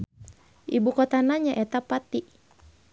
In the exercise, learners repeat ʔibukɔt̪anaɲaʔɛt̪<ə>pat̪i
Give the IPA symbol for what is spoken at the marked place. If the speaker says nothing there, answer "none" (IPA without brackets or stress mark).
a